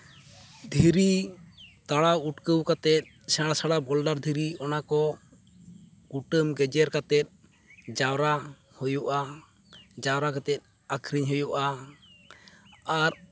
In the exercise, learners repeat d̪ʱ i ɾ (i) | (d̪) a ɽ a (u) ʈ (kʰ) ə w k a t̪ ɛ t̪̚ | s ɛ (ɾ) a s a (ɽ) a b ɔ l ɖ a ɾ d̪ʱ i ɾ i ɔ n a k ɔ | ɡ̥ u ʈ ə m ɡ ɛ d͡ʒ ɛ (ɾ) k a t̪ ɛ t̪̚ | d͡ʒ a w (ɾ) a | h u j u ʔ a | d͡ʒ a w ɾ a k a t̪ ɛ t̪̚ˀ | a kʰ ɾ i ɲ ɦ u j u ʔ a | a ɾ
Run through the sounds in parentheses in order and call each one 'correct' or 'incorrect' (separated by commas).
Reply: correct, incorrect, correct, incorrect, incorrect, correct, correct, correct